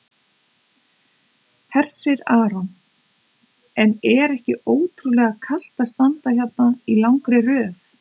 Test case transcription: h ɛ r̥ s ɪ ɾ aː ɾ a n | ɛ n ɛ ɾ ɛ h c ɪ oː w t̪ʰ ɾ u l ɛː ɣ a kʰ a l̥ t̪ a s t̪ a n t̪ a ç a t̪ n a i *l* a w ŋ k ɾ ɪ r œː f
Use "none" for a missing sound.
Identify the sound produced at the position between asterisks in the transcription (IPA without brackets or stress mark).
l